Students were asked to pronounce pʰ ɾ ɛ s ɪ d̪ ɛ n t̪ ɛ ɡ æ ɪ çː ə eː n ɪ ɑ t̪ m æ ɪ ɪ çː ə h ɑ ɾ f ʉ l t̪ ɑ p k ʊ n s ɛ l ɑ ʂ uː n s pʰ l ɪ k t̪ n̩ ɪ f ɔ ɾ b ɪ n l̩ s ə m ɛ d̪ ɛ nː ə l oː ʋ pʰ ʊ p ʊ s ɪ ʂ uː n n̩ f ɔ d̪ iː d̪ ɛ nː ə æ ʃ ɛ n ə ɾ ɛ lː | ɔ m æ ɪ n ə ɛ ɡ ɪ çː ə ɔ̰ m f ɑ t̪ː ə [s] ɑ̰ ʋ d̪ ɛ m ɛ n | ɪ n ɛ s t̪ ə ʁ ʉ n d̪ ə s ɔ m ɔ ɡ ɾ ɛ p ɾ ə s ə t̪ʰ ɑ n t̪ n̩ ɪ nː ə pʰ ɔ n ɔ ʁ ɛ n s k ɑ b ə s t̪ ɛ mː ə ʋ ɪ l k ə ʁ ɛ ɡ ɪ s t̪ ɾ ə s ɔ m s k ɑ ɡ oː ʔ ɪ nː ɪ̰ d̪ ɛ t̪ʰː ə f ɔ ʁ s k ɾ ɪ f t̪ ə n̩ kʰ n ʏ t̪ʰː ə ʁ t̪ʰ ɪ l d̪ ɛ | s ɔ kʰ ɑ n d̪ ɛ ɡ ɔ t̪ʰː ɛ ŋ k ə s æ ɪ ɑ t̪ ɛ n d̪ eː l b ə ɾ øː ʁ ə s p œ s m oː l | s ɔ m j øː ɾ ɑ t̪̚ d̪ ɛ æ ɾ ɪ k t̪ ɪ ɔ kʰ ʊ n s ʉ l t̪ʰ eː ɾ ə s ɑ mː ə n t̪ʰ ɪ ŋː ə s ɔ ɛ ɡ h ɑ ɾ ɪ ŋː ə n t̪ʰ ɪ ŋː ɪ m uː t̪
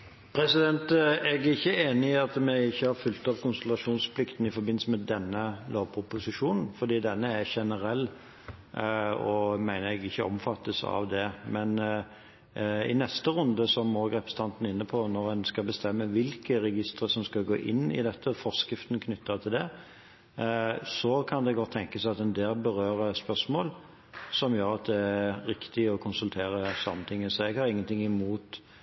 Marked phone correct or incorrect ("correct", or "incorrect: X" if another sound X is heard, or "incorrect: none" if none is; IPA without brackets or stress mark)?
correct